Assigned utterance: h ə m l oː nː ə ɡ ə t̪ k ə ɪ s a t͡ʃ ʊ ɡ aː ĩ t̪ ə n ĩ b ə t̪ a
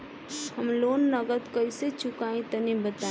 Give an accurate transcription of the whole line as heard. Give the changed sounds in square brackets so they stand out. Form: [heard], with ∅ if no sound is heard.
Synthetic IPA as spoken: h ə m l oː nː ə ɡ ə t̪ k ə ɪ s [e] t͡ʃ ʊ [k] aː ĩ t̪ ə n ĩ b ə t̪ a